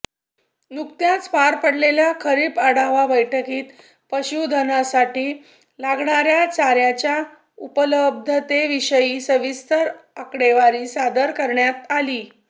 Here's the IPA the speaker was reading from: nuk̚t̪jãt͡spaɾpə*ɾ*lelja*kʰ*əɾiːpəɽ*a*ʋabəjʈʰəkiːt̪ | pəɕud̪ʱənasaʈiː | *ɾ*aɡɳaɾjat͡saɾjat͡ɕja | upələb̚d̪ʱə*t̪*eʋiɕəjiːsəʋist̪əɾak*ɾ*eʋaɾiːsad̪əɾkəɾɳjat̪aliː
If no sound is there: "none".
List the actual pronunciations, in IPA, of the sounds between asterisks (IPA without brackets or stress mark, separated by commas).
ɽ, kʰ, a, l, t̪, ɽ